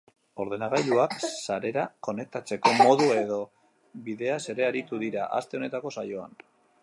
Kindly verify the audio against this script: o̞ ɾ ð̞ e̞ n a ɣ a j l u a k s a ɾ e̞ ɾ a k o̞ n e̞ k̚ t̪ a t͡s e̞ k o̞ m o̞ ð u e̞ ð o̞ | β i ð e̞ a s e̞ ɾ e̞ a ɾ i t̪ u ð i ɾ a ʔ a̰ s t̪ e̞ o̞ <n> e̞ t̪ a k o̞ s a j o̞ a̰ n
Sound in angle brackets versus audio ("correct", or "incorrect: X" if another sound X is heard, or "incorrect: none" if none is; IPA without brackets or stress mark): correct